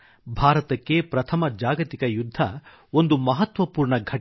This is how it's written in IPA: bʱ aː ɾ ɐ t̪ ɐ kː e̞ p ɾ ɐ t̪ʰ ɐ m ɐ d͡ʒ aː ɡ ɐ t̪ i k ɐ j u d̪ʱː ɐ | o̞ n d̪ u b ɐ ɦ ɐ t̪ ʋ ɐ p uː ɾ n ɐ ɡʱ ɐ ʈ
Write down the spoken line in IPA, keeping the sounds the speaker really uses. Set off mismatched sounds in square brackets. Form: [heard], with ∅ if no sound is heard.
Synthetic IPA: bʱ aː ɾ ɐ t̪ ɐ kː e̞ p ɾ ɐ t̪ʰ ɐ m ɐ d͡ʒ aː ɡ ɐ t̪ i k ɐ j u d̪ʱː ɐ | o̞ n d̪ u [m] ɐ ɦ ɐ t̪ ʋ ɐ p uː ɾ [ɳ] ɐ ɡʱ ɐ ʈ